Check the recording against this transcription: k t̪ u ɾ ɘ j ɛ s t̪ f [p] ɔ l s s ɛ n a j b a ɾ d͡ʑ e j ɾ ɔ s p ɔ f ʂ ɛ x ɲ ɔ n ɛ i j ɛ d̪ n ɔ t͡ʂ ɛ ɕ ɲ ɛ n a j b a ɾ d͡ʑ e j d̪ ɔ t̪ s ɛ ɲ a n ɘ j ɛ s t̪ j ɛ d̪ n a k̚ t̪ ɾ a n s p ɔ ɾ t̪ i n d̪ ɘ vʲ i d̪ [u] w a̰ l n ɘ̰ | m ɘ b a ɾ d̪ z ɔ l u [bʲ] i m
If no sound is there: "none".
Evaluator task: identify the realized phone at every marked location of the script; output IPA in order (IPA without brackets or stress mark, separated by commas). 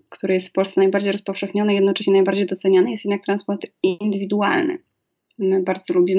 p, u, bʲ